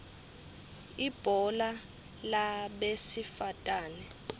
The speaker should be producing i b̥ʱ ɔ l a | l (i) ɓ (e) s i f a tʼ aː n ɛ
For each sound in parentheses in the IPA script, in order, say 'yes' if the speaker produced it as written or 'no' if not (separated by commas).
no, yes